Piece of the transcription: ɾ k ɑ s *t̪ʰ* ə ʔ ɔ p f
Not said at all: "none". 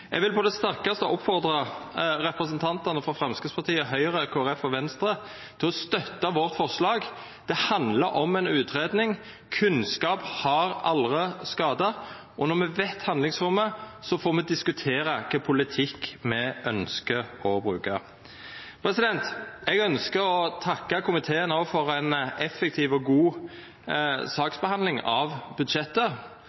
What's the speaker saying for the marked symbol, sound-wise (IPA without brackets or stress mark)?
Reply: t̪